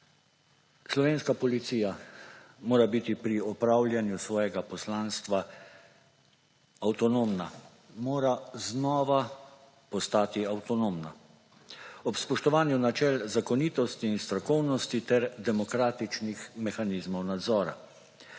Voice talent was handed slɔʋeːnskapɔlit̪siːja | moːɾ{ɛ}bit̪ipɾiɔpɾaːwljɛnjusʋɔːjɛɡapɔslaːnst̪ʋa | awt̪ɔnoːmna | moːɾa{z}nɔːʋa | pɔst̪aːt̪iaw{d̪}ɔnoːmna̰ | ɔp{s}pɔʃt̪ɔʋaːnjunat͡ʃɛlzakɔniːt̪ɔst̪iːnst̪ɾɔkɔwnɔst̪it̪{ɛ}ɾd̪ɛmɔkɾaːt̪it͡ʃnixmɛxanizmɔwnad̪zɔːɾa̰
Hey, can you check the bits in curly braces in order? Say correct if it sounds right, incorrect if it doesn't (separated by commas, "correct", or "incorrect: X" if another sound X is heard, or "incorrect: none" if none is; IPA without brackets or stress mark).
incorrect: a, correct, incorrect: t̪, correct, correct